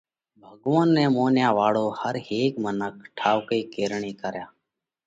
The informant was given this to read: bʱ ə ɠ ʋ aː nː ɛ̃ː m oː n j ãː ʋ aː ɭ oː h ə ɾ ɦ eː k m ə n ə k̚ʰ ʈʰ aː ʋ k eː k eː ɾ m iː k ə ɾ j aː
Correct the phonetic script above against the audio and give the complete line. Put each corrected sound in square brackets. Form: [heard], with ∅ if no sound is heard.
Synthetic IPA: bʱ ə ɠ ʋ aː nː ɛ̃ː m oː n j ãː ʋ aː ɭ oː h ə ɾ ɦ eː k m ə n ə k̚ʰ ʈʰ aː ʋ k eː k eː ɾ [ɳ] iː k ə ɾ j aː